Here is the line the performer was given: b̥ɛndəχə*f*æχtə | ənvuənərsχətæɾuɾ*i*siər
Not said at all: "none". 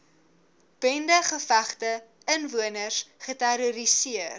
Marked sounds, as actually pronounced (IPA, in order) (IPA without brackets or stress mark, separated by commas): f, i